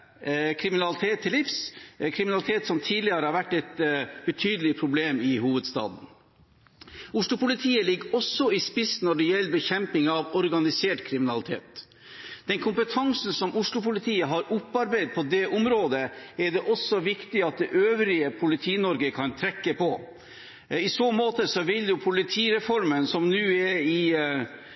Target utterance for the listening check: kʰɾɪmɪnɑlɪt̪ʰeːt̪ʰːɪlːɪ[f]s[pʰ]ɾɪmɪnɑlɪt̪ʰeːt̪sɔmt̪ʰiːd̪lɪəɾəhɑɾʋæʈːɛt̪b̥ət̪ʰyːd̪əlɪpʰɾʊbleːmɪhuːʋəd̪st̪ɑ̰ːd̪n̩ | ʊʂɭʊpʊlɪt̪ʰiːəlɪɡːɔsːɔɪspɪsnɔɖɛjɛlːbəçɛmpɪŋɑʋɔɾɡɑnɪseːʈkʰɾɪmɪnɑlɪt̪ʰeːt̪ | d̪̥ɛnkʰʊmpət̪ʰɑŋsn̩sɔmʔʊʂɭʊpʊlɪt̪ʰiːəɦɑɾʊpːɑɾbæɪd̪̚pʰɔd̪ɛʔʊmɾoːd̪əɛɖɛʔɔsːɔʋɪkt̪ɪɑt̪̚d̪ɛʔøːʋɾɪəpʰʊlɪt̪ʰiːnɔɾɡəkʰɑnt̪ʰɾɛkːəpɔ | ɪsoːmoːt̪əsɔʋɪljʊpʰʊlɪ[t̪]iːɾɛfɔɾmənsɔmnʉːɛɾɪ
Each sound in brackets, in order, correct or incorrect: correct, incorrect, incorrect

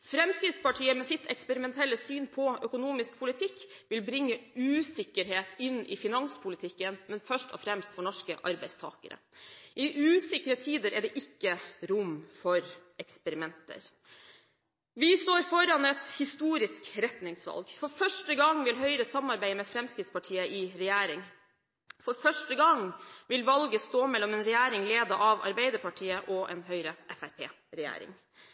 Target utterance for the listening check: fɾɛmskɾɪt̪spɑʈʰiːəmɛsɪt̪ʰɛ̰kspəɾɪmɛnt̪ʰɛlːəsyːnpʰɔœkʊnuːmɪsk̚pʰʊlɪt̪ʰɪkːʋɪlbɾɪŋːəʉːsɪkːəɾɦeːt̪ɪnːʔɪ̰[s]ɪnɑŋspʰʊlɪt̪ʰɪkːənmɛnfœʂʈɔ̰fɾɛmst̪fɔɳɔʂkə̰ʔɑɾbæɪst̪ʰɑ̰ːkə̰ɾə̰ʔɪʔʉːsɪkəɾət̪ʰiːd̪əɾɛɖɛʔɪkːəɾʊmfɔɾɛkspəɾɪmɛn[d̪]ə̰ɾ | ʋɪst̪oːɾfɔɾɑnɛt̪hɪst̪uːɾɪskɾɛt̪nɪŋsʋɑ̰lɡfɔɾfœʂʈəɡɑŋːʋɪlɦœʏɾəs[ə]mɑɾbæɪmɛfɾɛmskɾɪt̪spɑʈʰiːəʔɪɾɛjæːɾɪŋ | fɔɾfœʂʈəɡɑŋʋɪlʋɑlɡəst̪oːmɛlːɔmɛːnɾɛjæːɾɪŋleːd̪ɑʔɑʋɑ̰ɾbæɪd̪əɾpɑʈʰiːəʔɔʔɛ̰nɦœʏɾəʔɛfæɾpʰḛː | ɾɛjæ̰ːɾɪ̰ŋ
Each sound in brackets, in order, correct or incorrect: incorrect, incorrect, incorrect

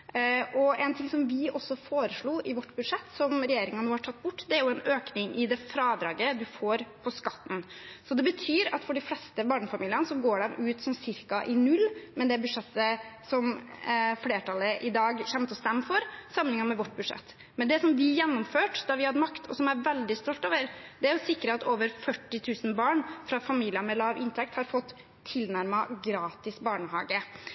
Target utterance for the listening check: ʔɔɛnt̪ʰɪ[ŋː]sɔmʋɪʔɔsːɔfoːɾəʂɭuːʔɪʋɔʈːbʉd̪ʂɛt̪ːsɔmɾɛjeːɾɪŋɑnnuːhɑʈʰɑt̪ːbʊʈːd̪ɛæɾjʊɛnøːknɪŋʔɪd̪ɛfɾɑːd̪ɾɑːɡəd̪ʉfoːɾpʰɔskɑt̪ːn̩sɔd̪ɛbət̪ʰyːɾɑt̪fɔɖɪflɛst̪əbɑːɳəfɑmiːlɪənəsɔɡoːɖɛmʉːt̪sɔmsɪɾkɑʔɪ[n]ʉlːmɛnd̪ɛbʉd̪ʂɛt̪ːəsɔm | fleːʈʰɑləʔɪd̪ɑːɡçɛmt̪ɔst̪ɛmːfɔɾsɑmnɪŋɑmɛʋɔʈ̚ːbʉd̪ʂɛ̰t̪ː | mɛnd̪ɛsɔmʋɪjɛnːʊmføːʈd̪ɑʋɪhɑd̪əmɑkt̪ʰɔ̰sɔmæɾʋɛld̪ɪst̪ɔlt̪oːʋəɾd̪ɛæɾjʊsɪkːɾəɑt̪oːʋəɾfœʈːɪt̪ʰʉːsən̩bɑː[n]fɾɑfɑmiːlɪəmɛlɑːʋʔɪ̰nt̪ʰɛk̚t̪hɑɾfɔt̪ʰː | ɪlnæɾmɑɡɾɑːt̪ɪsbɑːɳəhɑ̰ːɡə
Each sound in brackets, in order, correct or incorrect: incorrect, correct, incorrect

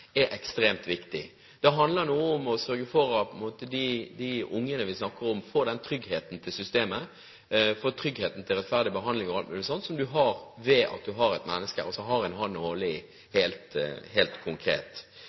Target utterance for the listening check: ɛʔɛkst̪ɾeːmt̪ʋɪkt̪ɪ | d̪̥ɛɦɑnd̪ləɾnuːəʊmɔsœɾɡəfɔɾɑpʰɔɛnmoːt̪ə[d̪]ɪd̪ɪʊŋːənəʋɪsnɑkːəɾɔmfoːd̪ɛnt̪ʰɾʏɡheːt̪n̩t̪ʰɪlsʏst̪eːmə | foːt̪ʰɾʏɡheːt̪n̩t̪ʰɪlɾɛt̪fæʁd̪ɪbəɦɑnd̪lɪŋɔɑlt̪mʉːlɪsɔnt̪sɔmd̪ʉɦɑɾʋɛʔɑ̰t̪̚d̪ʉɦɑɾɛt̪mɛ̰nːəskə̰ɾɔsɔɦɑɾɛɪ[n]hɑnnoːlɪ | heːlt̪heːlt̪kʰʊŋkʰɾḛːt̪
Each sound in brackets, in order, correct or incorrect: correct, correct

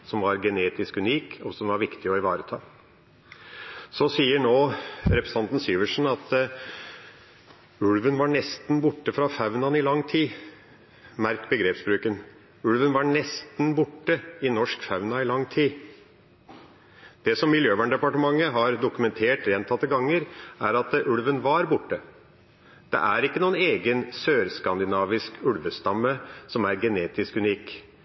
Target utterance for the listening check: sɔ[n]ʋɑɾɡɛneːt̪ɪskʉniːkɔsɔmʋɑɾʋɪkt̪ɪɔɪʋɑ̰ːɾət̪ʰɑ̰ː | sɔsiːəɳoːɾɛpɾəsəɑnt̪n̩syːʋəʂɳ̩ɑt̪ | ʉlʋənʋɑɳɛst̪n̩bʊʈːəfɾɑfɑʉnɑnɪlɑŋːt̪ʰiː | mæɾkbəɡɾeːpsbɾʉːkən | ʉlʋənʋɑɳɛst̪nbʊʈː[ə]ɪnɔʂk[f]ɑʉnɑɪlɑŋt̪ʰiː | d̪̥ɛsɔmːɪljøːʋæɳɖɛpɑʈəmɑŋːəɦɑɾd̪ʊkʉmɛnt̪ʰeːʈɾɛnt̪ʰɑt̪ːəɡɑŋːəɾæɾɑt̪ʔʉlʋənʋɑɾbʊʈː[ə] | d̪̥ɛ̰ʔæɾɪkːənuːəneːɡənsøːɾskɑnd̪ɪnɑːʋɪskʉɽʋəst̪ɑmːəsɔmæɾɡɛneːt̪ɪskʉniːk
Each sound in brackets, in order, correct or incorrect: incorrect, correct, correct, correct

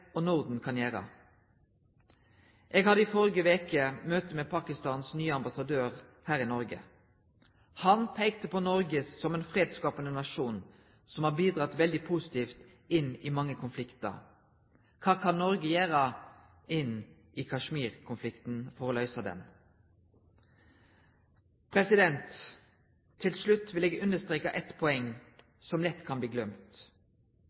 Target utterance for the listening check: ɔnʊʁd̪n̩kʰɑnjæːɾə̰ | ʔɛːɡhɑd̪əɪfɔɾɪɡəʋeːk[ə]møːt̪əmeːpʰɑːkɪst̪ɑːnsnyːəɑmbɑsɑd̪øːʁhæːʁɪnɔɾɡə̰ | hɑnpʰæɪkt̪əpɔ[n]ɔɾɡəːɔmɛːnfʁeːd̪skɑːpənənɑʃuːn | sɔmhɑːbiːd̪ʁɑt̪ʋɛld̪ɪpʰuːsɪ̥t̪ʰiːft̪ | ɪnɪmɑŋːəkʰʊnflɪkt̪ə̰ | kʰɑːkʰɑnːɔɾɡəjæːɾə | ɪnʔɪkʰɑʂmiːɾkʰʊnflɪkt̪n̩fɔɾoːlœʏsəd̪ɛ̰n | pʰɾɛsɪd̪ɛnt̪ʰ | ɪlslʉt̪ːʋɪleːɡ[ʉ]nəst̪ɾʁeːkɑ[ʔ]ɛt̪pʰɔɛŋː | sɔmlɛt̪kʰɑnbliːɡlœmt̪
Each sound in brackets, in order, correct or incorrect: correct, correct, correct, correct

